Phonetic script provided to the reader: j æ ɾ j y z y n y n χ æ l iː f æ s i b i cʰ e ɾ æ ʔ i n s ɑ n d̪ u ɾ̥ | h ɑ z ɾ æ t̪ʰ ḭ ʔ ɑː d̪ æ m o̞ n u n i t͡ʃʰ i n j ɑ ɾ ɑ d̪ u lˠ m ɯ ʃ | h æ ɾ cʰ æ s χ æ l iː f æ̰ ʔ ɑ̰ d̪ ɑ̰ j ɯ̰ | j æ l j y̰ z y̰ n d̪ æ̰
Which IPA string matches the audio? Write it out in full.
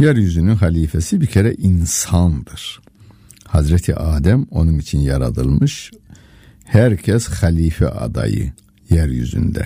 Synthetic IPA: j æ ɾ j y z y n y n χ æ l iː f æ s i b i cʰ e ɾ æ ʔ i n s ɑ n d̪ ɯ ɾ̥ | h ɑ z ɾ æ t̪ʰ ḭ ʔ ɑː d̪ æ m o̞ n u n i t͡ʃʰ i n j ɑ ɾ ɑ d̪ ɯ lˠ m ɯ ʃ | h æ ɾ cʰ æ s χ æ l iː f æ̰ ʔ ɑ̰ d̪ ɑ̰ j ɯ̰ | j æ ɾ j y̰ z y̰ n d̪ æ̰